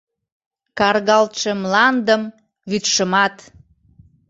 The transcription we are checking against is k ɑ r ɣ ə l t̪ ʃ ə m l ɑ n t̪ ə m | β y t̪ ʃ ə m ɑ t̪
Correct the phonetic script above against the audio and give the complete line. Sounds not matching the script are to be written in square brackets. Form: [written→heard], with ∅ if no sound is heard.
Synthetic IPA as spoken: k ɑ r ɣ [ə→ɑ] l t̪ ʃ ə m l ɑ n [t̪→d̪] ə m | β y t̪ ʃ ə m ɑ t̪